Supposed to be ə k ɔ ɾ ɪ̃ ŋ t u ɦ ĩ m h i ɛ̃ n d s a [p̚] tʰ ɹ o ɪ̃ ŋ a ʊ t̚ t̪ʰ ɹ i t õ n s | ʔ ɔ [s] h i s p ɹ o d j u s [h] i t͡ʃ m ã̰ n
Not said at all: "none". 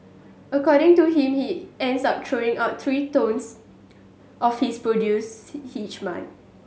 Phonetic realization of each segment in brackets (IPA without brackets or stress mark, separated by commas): p̚, f, h